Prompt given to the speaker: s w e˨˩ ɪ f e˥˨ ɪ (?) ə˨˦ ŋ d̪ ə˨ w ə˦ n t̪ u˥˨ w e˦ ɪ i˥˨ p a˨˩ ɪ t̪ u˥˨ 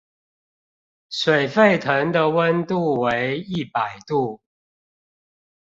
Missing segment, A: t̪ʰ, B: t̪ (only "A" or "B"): A